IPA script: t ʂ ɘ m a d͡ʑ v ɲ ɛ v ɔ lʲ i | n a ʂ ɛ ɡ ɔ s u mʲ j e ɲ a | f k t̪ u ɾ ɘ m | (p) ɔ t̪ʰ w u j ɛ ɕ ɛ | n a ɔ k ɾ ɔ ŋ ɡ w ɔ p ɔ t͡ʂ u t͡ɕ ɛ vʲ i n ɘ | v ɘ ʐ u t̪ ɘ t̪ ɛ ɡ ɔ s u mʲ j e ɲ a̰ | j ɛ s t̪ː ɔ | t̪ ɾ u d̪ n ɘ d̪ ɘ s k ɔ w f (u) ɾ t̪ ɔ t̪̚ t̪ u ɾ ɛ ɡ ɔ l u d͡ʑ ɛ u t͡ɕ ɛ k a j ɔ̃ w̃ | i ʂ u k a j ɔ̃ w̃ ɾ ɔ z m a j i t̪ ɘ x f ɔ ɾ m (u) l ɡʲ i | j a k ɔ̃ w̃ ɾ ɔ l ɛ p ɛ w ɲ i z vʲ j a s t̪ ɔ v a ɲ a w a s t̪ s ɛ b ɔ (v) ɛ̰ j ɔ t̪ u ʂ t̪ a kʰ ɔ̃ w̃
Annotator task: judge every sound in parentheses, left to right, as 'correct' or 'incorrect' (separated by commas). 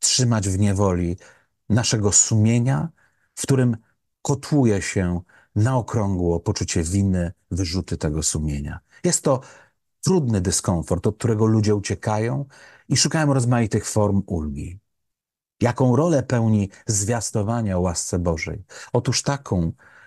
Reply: incorrect, incorrect, correct, incorrect